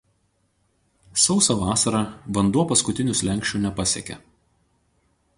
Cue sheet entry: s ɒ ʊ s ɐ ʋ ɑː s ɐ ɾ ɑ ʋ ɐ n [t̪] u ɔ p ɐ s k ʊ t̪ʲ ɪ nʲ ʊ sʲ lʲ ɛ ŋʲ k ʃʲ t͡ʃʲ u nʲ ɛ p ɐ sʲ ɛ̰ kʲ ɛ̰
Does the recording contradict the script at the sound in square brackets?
yes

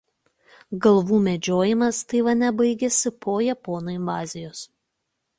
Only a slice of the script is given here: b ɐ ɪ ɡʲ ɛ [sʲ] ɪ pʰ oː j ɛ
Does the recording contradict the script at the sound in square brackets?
no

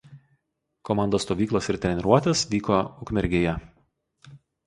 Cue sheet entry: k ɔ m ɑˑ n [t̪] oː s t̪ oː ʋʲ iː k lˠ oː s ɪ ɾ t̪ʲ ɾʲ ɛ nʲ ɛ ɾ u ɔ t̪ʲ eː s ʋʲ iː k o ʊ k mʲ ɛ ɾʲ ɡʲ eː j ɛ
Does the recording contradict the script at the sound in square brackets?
yes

